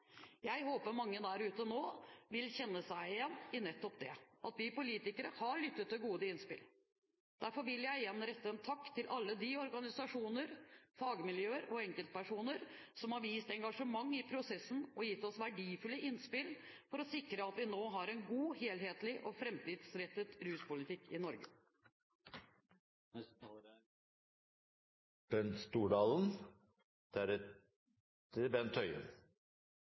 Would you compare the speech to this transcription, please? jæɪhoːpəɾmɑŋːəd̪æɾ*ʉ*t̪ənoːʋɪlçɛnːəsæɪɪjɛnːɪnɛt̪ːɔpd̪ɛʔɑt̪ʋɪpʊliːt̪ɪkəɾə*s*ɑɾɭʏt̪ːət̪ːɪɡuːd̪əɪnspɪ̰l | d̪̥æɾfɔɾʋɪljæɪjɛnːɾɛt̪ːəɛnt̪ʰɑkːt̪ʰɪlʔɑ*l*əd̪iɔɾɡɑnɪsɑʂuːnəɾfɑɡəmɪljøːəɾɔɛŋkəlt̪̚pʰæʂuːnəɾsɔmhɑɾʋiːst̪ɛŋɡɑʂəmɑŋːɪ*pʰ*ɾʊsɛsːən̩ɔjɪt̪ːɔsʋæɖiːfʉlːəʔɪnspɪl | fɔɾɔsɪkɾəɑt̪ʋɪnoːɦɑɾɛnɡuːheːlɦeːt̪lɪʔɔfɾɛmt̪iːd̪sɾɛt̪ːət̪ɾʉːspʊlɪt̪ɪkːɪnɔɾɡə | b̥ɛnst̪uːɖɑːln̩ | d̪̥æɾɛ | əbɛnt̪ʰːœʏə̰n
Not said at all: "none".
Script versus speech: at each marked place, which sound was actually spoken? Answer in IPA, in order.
ʉː, h, lː, pʰ

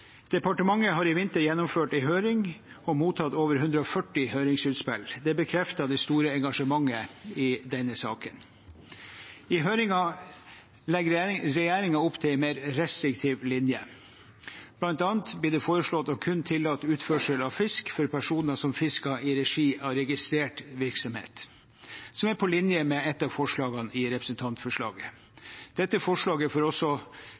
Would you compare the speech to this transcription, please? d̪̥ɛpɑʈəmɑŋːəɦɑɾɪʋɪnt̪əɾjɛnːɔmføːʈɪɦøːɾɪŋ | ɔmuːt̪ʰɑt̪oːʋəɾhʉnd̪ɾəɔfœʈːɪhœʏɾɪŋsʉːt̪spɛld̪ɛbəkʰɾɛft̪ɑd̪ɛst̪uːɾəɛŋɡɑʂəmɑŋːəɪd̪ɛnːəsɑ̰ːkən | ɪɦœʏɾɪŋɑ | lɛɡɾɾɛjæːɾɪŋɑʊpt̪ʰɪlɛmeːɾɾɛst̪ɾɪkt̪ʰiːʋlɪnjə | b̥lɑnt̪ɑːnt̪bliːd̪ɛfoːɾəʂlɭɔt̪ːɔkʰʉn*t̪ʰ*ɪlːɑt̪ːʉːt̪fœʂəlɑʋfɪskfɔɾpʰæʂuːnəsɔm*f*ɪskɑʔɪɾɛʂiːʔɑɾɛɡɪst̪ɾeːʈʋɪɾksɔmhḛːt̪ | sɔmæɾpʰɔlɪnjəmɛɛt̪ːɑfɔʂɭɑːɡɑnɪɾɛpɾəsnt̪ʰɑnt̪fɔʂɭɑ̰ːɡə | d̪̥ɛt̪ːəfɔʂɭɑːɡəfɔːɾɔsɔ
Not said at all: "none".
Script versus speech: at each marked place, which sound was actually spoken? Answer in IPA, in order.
t̪ʰ, f

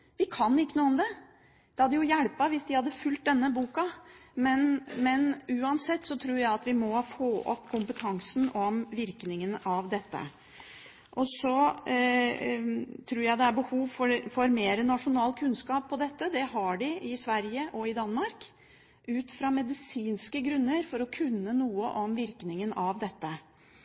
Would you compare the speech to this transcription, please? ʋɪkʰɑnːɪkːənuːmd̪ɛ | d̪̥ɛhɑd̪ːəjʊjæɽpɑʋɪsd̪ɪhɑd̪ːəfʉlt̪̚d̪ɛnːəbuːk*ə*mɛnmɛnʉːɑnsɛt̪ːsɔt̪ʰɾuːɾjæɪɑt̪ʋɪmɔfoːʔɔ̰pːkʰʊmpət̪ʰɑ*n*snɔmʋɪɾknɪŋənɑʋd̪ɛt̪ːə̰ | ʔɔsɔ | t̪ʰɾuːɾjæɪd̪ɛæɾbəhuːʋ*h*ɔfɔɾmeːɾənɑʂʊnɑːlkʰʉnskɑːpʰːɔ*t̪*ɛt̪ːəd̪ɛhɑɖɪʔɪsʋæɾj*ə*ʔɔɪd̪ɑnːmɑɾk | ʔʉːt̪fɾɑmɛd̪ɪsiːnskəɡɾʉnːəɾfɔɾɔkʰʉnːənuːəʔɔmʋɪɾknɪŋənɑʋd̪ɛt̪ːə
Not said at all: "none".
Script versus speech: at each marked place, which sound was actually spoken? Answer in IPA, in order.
ɑ, ŋ, f, d̪, ə

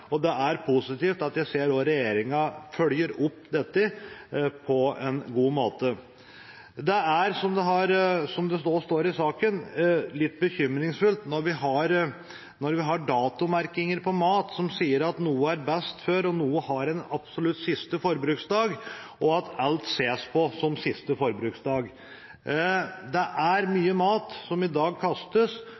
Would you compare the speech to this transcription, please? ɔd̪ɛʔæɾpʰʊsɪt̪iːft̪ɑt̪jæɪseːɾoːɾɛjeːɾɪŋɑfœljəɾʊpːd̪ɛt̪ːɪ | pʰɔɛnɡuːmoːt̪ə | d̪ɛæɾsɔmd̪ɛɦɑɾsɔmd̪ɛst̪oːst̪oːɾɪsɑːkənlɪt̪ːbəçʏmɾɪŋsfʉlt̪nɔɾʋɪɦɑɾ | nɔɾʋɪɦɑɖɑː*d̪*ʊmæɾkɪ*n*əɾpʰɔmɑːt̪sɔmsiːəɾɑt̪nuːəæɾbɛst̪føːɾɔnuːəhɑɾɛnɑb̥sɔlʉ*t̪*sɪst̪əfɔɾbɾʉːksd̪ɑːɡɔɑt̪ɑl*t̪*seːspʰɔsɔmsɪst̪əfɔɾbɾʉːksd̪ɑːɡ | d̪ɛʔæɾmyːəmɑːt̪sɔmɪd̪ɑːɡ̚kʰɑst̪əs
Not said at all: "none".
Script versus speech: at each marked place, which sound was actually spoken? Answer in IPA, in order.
t̪, ŋ, t̪, t̪

